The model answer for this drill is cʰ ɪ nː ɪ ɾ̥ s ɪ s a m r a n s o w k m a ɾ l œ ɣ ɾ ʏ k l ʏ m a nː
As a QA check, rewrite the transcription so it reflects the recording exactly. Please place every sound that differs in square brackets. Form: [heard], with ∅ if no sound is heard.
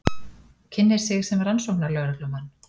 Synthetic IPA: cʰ ɪ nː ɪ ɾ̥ s ɪ s [ɛ] m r a n s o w k [n] a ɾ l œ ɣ ɾ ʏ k l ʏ m a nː